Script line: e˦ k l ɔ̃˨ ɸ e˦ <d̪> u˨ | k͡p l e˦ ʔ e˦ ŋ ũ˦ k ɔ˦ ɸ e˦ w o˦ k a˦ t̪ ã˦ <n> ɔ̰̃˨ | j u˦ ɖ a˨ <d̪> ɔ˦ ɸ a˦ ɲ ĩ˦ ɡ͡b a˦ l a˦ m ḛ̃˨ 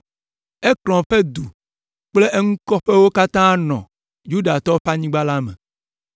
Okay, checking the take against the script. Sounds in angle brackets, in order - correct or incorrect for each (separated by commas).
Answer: correct, correct, incorrect